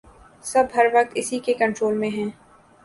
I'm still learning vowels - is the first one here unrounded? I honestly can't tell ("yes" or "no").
yes